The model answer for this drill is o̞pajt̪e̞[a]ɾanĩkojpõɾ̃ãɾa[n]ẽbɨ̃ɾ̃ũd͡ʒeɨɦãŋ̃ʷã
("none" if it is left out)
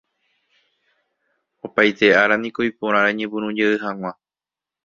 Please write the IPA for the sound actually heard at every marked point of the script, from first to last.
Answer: a, ɲ

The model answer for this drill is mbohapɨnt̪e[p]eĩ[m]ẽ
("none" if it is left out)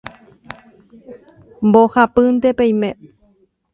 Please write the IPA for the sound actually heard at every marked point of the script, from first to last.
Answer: p, m

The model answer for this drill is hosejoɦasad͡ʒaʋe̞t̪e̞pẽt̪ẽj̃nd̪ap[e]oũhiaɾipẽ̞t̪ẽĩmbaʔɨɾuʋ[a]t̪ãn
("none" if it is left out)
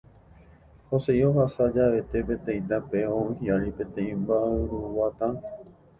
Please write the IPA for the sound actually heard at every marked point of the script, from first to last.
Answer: e, a

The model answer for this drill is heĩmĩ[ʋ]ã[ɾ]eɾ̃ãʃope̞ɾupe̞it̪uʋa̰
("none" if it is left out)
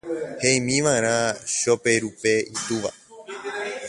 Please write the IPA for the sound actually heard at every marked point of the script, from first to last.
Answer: ʋ, none

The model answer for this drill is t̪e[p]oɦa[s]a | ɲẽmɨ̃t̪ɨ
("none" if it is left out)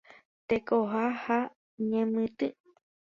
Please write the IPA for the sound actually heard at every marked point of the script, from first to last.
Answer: k, h

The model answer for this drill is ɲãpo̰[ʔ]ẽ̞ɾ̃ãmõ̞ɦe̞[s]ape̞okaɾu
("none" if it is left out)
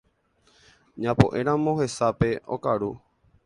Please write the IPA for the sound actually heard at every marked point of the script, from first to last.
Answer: ʔ, s

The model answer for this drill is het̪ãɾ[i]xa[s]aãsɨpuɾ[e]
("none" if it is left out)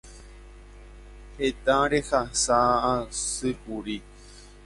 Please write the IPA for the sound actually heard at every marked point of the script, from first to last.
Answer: e, s, i

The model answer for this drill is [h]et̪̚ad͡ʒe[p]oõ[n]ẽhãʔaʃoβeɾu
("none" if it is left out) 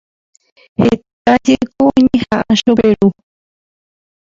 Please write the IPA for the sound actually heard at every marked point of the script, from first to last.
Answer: h, k, ɲ

